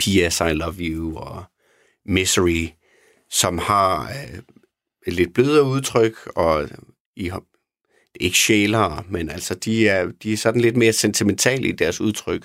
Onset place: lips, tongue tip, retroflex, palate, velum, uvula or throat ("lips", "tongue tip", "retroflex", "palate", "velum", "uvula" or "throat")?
lips